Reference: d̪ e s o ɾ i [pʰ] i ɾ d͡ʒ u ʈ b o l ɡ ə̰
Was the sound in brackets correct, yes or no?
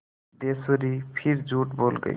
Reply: yes